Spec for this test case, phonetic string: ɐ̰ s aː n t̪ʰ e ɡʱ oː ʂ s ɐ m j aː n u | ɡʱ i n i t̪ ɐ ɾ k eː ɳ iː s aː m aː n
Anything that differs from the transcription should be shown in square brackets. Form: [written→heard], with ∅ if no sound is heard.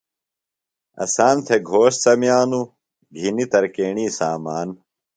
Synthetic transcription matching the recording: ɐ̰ s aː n t̪ʰ e ɡʱ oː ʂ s ɐ m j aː n u | ɡʱ i n i t̪ ɐ ɾ k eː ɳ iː s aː m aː n